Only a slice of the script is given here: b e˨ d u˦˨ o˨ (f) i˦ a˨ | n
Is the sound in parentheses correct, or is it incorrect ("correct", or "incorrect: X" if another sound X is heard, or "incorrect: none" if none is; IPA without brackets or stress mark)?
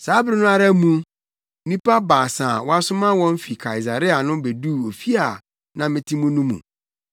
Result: correct